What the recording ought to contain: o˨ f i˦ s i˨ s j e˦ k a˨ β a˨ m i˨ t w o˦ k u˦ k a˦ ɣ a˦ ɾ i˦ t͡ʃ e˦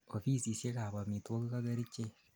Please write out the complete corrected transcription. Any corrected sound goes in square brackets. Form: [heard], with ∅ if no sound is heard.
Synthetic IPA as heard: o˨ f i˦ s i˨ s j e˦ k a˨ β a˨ m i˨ t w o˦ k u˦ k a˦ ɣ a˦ ɾ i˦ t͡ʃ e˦